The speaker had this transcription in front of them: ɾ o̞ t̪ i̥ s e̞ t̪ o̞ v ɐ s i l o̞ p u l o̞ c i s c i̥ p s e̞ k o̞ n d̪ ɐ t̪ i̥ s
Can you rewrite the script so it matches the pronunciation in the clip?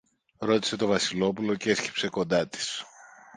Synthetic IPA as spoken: ɾ o̞ t̪ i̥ s e̞ t̪ o̞ v ɐ s i l o̞ p u l o̞ c e s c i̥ p s e̞ k o̞ n d̪ ɐ t̪ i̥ s